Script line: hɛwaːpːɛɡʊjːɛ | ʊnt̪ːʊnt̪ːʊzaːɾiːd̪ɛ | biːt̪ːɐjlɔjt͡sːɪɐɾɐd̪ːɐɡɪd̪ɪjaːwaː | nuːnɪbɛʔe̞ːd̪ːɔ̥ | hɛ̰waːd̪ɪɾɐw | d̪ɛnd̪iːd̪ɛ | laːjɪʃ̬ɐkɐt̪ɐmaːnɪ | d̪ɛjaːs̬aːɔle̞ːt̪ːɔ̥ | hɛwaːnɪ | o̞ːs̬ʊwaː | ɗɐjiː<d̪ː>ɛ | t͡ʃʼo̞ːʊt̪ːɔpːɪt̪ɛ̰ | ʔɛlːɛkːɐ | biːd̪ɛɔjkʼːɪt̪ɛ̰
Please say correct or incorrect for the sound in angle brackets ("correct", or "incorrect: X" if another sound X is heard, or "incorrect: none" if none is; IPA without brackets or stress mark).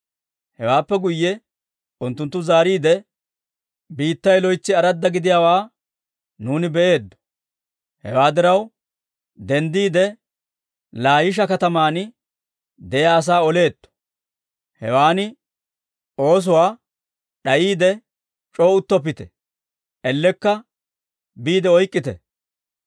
incorrect: d̪